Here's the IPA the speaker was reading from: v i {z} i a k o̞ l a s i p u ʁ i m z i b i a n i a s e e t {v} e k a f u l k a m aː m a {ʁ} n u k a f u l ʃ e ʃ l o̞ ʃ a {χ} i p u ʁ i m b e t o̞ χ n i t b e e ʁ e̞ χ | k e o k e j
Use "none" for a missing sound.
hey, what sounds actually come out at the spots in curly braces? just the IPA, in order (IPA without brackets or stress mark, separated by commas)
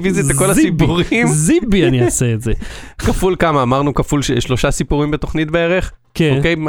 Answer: z, z, ʁ, s